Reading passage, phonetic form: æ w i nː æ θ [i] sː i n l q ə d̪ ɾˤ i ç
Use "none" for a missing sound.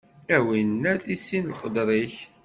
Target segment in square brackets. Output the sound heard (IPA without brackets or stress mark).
i